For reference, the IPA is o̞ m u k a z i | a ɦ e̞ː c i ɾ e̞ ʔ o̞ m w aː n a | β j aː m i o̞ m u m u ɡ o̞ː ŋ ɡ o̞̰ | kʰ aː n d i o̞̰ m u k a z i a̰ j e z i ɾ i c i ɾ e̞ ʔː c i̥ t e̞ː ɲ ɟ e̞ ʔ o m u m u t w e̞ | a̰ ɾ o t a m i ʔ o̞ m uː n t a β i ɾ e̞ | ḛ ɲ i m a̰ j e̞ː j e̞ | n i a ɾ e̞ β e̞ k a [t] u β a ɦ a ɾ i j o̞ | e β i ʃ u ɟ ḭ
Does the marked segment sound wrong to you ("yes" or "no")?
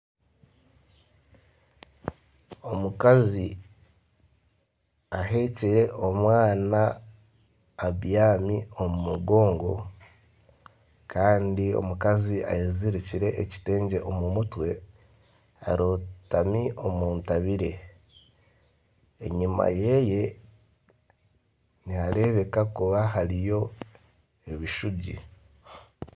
yes